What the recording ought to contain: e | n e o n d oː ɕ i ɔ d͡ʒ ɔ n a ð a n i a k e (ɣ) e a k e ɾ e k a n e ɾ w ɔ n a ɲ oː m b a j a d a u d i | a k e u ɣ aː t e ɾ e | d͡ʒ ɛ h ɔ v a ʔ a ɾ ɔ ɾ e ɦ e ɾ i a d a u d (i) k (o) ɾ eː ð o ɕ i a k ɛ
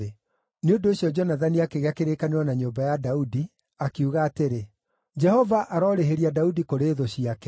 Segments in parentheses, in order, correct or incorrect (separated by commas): correct, correct, correct